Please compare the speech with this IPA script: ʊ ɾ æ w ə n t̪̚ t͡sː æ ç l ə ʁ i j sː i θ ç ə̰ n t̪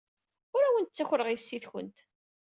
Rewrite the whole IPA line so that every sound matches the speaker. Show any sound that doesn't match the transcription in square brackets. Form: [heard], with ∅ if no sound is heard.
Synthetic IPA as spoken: ʊ ɾ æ w ə n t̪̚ t͡sː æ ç [ɾ] ə ʁ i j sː i θ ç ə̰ n t̪